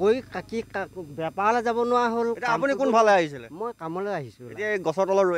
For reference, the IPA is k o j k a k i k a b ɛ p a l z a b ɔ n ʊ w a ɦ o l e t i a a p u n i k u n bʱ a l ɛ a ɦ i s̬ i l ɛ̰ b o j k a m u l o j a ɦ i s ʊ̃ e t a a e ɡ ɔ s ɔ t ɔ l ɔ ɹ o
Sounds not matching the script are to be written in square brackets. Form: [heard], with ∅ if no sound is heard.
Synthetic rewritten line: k o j k a k i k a b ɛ p a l z a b ɔ n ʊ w a ɦ o l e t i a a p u n i k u n bʱ a l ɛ a ɦ i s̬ i l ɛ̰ [m] o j k a m [ɔ] l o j a ɦ i s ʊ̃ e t [i] a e ɡ ɔ s ɔ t ɔ l ɔ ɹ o